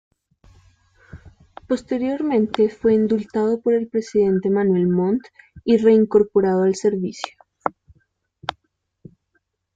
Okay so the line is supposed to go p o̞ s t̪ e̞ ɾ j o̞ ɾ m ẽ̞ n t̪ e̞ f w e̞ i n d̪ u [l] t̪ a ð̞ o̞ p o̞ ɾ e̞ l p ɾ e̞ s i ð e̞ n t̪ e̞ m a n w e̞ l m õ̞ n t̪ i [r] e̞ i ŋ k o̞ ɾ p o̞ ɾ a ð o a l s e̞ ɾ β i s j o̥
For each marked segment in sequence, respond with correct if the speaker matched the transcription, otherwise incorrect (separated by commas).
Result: correct, correct